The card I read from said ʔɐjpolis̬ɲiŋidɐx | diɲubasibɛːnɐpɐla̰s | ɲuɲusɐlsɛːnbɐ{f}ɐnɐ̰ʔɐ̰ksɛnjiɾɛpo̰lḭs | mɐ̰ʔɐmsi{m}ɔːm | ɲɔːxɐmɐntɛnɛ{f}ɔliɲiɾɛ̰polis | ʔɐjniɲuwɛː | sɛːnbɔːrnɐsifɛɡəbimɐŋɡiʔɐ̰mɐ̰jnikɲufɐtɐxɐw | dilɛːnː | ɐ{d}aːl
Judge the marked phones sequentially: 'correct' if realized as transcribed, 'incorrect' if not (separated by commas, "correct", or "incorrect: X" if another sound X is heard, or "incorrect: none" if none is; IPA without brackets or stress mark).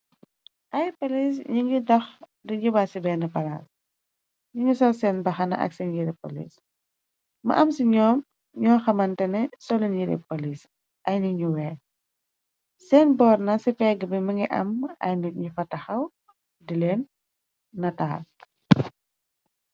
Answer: incorrect: x, incorrect: ɲ, incorrect: s, incorrect: t